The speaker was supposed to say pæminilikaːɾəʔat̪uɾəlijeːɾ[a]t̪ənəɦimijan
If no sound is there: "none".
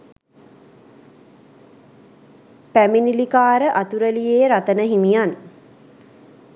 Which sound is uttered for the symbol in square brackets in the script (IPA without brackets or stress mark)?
a